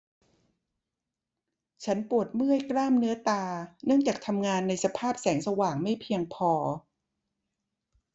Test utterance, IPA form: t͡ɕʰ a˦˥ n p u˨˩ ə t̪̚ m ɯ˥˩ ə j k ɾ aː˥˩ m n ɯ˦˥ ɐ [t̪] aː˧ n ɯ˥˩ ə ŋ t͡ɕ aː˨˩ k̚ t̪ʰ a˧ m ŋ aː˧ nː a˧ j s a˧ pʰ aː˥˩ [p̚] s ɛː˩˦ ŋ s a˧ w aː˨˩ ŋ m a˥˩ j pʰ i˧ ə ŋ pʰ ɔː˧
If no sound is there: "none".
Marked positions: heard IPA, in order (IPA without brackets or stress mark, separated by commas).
t̪, p̚